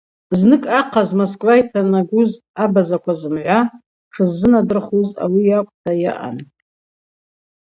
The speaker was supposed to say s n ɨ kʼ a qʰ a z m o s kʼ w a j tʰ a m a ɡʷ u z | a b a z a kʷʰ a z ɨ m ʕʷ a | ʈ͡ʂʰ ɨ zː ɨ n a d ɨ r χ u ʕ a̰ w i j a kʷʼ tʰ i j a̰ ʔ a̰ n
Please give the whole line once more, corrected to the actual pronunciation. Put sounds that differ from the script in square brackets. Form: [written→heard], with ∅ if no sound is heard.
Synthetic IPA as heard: [s→z] n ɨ kʼ a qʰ a z m o s kʼ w a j tʰ a [m→n] a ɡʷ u z | a b a z a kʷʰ a z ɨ m ʕʷ a | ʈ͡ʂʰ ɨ zː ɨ n a d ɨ r χ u [ʕ→z] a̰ w i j a kʷʼ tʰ [i→a] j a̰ ʔ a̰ n